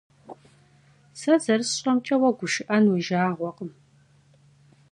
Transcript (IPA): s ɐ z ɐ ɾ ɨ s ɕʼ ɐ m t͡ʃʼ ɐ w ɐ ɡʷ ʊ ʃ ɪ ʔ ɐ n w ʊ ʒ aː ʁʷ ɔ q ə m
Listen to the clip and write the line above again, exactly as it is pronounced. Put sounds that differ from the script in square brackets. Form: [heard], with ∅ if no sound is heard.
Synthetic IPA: s ɐ z ɐ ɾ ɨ s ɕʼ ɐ m t͡ʃʼ ɐ w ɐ ɡʷ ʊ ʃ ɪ ʔ ɐ n w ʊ ʒ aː ʁʷ ɔ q ə m